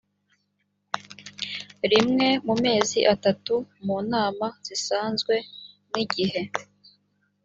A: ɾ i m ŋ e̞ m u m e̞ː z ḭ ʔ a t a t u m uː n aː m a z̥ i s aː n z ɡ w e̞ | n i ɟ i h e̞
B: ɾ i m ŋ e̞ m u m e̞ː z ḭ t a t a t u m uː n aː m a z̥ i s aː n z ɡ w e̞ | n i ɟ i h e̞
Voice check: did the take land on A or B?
A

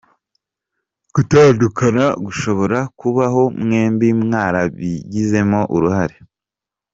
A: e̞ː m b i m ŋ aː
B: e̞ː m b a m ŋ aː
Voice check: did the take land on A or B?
A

